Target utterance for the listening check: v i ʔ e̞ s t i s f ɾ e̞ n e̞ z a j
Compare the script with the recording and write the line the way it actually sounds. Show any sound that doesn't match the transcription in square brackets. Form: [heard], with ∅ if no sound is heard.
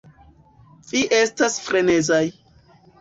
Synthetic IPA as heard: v i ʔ e̞ s t [a] s f ɾ e̞ n e̞ z a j